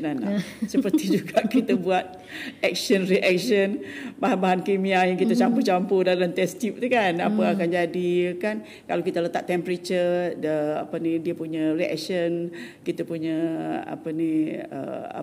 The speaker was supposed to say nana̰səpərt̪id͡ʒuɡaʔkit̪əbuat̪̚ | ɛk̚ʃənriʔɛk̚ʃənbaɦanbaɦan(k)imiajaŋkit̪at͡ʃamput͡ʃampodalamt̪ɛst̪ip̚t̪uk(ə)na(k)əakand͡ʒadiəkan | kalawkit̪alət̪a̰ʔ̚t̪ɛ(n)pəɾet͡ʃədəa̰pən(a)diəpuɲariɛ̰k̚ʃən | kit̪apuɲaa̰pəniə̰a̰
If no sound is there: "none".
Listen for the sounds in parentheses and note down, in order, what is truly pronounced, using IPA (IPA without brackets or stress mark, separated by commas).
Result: k, a, p, m, i